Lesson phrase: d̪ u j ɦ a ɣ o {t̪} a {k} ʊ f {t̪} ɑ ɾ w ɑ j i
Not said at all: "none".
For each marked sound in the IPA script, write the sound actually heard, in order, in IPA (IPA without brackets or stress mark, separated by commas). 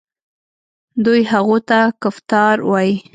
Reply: t̪, k, t̪